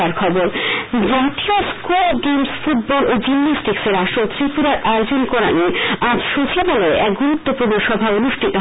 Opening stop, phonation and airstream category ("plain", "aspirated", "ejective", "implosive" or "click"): aspirated